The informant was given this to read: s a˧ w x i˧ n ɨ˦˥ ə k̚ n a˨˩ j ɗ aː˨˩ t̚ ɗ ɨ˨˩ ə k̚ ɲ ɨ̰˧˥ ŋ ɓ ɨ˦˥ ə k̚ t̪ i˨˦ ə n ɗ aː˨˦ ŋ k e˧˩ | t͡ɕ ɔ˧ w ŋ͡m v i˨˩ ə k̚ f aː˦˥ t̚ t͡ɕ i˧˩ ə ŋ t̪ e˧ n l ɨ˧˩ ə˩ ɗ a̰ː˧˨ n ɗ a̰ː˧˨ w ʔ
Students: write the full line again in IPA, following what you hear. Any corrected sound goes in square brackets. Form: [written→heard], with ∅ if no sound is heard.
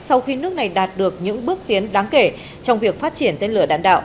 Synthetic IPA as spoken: s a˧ w x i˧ n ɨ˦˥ ə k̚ n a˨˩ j ɗ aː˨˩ t̚ ɗ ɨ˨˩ ə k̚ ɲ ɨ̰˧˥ ŋ ɓ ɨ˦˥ ə k̚ t̪ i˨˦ ə n ɗ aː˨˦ ŋ k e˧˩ | t͡ɕ ɔ˧ w ŋ͡m v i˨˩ ə k̚ f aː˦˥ t̚ t͡ɕ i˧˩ ə [ŋ→n] t̪ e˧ n l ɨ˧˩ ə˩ ɗ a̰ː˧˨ n ɗ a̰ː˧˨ w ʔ